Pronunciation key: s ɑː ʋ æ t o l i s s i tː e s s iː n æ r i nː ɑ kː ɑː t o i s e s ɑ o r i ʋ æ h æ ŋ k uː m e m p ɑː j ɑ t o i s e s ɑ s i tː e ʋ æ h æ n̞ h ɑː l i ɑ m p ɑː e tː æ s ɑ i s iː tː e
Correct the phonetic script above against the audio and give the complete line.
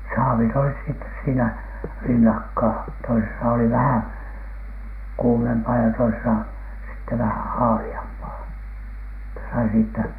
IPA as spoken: s ɑː ʋ i t o l i s s i tː e s s iː n æ r i nː ɑ kː ɑː t o i s e s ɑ o l i ʋ æ h æ ŋ k uː m e m p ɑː j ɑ t o i s e s ɑ s i tː e ʋ æ h æ n̞ h ɑː l i ɑ m p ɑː e tː æ s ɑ i s iː tː æ